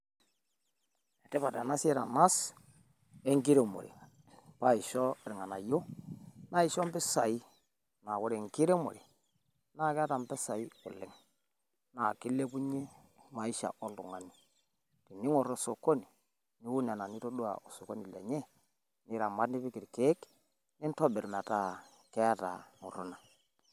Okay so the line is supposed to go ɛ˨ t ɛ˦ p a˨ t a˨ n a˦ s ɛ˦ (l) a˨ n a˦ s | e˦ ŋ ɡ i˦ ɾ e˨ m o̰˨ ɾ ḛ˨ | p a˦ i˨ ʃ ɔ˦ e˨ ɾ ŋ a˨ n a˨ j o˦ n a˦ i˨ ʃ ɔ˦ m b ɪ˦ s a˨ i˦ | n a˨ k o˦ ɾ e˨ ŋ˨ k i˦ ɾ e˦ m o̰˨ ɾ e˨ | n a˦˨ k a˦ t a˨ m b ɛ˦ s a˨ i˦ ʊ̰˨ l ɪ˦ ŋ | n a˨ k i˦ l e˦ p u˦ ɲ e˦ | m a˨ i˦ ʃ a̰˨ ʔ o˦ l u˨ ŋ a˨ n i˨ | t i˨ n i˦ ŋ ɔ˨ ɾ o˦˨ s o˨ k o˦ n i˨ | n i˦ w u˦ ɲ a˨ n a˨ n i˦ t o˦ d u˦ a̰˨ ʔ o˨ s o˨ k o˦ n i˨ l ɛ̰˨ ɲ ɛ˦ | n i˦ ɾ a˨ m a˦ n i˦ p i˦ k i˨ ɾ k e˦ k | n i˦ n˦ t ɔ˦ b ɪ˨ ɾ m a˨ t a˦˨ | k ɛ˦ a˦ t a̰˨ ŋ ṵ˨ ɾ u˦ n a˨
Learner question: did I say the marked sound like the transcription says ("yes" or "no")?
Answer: no